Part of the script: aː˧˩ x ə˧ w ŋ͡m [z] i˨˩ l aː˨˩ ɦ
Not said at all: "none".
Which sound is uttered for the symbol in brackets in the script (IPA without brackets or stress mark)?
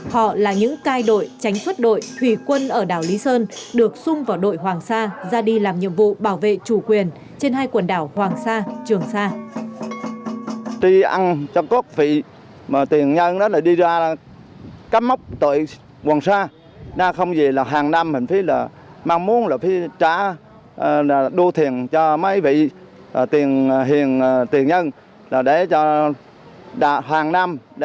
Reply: z